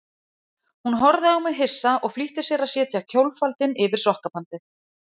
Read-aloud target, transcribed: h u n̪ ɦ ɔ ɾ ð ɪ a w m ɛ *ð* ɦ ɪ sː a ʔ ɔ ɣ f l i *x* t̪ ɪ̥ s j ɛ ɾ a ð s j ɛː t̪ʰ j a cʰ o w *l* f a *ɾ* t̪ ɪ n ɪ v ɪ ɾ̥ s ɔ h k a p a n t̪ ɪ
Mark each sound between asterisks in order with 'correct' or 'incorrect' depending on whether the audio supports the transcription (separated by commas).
correct, incorrect, correct, incorrect